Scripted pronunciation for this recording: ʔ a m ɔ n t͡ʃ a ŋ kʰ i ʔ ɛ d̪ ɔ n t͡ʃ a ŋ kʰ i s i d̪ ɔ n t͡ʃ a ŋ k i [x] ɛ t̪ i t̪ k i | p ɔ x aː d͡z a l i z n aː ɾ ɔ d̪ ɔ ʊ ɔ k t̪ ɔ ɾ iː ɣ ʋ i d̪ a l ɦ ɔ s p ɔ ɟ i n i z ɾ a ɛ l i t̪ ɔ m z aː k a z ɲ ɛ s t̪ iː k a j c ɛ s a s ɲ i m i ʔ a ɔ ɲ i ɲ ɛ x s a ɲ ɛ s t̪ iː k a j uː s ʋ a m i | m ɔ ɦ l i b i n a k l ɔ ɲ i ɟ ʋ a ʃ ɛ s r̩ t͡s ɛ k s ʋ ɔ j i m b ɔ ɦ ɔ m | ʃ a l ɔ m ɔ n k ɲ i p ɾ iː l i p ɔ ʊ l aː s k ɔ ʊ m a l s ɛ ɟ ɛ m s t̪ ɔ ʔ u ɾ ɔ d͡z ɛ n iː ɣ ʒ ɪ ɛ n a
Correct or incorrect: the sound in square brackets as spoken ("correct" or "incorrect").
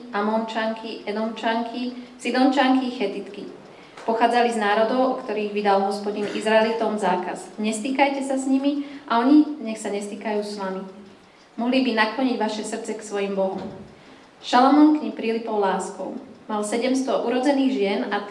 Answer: correct